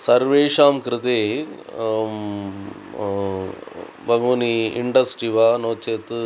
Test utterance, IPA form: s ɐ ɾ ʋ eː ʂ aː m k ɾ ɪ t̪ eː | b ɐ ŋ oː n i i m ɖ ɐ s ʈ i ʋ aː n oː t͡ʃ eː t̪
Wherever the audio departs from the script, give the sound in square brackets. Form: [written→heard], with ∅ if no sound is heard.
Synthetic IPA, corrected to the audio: s ɐ ɾ ʋ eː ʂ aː m k ɾ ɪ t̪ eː | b ɐ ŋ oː n i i [m→ɳ] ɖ ɐ s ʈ i ʋ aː n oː t͡ʃ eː t̪

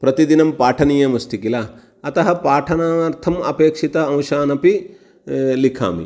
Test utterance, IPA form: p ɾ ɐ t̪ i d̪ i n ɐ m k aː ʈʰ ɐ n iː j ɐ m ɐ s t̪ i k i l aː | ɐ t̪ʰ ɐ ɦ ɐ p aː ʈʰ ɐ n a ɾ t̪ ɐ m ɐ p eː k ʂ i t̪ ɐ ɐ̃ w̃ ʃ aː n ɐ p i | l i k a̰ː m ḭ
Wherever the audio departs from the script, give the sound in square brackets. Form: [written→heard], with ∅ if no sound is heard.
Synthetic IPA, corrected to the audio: p ɾ ɐ t̪ i d̪ i n ɐ m [k→p] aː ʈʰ ɐ n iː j ɐ m ɐ s t̪ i k i l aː | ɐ [t̪ʰ→t̪] ɐ ɦ ɐ p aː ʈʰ ɐ n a ɾ [t̪→t̪ʰ] ɐ m ɐ p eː k ʂ i t̪ ɐ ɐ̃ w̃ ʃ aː n ɐ p i | l i [k→kʰ] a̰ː m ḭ

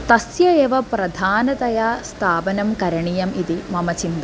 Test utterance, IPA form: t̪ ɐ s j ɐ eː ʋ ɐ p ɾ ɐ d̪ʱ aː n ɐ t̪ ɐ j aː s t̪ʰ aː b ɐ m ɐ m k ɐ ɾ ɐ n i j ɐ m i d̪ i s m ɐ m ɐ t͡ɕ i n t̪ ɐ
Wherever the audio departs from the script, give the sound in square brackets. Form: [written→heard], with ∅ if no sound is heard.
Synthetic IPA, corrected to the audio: t̪ ɐ s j ɐ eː ʋ ɐ p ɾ ɐ d̪ʱ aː n ɐ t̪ ɐ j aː s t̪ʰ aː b ɐ [m→n] ɐ m k ɐ ɾ ɐ [n→ɳ] i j ɐ m i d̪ i [s→∅] m ɐ m ɐ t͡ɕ i n [t̪→d̪] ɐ

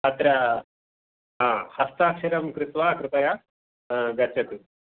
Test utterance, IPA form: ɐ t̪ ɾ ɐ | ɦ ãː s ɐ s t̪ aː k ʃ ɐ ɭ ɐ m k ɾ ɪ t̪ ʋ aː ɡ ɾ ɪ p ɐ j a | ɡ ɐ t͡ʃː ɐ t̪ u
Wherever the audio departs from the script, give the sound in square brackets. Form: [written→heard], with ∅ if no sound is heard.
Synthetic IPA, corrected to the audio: ɐ t̪ ɾ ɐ | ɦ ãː [s→h] ɐ s t̪ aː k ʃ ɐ [ɭ→ɾ] ɐ m k ɾ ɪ t̪ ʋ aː [ɡ→k] ɾ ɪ p ɐ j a | ɡ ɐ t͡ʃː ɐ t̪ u

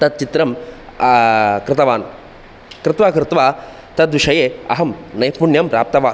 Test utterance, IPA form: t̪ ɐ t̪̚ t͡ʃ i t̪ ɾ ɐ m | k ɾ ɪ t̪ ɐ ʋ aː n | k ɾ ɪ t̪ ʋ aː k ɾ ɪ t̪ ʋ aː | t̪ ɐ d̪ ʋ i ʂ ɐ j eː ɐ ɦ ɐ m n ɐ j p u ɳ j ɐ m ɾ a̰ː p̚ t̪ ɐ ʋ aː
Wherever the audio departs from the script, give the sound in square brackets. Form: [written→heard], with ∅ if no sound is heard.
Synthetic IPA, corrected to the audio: t̪ ɐ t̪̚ t͡ʃ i t̪ ɾ ɐ m | k ɾ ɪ t̪ ɐ ʋ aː n | k ɾ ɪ t̪ ʋ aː k ɾ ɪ t̪ ʋ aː | t̪ ɐ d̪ ʋ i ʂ ɐ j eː ɐ ɦ ɐ m n ɐ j p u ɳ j ɐ m ɾ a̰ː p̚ t̪ ɐ ʋ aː

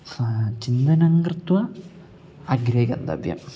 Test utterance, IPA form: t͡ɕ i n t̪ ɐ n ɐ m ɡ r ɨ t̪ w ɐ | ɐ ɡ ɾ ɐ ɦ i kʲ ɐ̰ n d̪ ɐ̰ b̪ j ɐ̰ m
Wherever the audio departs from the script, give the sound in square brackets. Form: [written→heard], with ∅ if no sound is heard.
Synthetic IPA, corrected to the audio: t͡ɕ i n [t̪→d̪] ɐ n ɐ [m→ŋ] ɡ r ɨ t̪ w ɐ | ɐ ɡ ɾ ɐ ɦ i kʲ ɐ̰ n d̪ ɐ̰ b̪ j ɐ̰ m

